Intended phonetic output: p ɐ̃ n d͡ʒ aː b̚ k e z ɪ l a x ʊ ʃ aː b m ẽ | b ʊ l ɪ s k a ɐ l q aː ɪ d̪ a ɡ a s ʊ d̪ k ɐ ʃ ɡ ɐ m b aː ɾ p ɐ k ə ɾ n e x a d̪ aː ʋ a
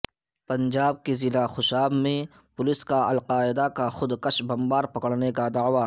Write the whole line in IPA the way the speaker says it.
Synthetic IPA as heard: p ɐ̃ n d͡ʒ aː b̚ k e z ɪ l a x ʊ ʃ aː b m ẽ | p ʊ l ɪ s k a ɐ l q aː ɪ d̪ a k a x ʊ d̪ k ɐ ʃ b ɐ m b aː ɾ p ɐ k ə ɽ n e k a d̪ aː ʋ a